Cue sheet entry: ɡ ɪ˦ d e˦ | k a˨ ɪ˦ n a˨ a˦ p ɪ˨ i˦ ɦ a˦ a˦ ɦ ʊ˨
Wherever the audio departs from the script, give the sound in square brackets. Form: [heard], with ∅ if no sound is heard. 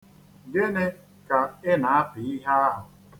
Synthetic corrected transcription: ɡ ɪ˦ [n] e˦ | k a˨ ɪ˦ n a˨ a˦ p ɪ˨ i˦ ɦ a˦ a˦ ɦ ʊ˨